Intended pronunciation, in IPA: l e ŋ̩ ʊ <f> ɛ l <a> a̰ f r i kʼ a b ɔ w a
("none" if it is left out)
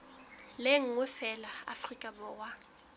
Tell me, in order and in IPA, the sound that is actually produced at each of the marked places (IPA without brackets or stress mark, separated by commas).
f, a